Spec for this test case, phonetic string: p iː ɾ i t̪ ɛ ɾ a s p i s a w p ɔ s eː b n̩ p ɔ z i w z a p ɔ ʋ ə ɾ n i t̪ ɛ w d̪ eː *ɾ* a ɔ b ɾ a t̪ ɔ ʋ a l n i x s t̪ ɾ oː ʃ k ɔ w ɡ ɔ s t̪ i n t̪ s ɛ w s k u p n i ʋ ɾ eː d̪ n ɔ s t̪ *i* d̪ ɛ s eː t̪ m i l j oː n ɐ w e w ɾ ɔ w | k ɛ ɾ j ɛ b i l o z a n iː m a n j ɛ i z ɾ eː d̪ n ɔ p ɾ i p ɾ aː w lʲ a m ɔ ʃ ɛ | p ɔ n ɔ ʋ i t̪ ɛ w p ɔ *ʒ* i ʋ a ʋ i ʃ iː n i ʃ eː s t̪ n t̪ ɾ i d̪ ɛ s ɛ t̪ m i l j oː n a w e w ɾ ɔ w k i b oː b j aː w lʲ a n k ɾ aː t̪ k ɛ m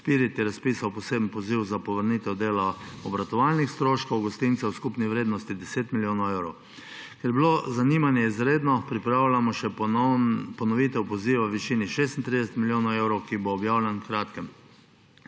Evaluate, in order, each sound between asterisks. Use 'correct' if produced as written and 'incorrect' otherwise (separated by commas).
incorrect, correct, incorrect